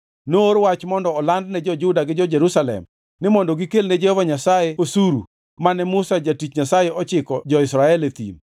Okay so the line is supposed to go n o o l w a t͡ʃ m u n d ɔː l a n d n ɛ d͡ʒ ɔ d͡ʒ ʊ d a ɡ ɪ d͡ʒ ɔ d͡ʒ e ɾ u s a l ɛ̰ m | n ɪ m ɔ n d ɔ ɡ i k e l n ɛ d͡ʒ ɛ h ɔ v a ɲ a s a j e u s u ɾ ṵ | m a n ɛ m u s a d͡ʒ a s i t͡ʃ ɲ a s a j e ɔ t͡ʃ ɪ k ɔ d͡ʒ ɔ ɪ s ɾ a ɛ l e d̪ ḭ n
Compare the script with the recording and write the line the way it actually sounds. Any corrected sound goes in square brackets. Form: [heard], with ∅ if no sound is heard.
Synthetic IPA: n o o [ɾ] w a t͡ʃ m [ɔ] n d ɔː l a n d n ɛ d͡ʒ ɔ d͡ʒ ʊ d a ɡ ɪ d͡ʒ ɔ d͡ʒ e ɾ u s a l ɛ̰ m | n ɪ m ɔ n d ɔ ɡ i k e l n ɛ d͡ʒ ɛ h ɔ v a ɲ a s a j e [o] s u ɾ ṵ | m a n ɛ m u s a d͡ʒ a [t] i t͡ʃ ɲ a s a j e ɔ t͡ʃ ɪ k ɔ d͡ʒ ɔ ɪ s ɾ a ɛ l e [t̪] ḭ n